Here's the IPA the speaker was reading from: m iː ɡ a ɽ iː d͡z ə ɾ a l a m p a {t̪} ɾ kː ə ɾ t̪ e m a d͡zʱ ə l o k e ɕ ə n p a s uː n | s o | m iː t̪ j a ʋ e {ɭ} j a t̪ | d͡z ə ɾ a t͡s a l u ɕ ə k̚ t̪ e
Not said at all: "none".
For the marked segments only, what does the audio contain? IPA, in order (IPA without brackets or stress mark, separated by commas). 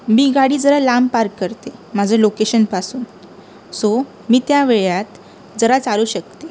none, ɭ